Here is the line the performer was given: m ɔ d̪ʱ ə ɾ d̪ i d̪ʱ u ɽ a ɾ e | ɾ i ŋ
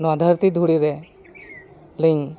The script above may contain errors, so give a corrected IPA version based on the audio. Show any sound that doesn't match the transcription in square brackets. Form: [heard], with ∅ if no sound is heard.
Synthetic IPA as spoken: [n] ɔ d̪ʱ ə ɾ [t̪] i d̪ʱ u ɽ [i] ɾ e | [l] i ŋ